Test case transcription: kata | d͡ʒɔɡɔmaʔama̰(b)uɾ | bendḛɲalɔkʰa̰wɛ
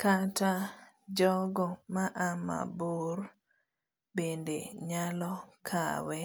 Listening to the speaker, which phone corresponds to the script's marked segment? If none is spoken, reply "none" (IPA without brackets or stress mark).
b